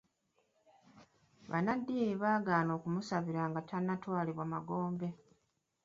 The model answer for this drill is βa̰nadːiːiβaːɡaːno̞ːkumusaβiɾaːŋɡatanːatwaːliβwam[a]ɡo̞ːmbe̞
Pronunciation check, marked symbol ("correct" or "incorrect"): correct